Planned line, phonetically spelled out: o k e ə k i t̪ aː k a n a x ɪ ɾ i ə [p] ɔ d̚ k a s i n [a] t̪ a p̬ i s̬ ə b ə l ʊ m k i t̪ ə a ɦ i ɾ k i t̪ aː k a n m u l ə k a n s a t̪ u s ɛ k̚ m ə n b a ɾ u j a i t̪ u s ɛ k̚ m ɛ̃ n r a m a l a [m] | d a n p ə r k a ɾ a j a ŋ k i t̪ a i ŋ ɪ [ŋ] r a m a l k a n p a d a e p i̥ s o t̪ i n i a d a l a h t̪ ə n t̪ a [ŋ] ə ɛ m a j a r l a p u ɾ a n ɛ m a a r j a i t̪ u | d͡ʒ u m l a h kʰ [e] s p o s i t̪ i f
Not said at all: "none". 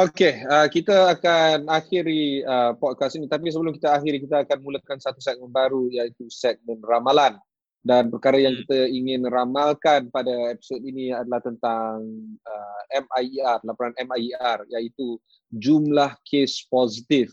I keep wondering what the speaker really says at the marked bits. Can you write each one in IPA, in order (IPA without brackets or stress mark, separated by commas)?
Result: p, i, n, n, ŋ, e